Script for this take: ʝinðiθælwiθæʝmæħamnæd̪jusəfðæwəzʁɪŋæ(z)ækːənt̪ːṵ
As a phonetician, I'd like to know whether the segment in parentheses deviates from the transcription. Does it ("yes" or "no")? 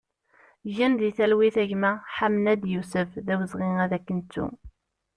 yes